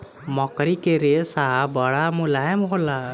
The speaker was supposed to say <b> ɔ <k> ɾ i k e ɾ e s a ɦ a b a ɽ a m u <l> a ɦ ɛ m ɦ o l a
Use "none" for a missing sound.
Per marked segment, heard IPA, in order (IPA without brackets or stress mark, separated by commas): m, k, l